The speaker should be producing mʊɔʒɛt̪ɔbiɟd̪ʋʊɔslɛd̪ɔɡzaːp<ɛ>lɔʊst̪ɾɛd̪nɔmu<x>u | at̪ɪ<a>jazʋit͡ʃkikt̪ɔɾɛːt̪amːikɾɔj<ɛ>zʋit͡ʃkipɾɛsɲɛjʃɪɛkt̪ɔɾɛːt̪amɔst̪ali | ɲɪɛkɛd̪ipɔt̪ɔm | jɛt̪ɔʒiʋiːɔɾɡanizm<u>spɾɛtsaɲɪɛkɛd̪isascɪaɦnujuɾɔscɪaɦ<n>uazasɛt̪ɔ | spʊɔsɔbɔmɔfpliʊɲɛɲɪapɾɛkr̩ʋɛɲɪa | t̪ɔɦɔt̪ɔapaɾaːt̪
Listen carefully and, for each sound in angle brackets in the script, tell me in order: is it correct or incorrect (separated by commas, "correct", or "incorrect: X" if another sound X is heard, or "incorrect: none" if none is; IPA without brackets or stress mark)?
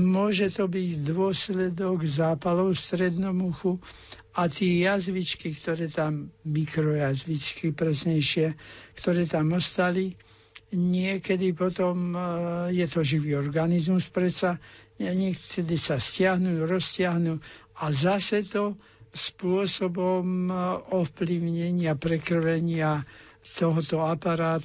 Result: incorrect: a, correct, incorrect: ɛ, incorrect: a, correct, correct